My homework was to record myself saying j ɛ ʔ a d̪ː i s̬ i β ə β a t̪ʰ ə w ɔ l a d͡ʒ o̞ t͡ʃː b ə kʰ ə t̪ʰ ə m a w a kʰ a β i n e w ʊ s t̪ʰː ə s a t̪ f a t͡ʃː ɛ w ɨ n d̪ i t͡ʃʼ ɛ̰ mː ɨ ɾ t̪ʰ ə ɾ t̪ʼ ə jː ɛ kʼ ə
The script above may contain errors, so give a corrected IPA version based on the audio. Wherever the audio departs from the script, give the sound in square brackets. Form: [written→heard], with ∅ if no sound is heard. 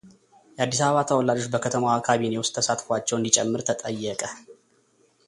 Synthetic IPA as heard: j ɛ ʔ a d̪ː i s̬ [i→a] β ə β a t̪ʰ ə w ɔ l a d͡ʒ o̞ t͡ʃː b ə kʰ ə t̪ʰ ə m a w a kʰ a β i n e w ʊ s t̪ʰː ə s a t̪ f a t͡ʃː ɛ w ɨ n d̪ i t͡ʃʼ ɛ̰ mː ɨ ɾ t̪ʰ ə [ɾ→∅] t̪ʼ ə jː ɛ kʼ ə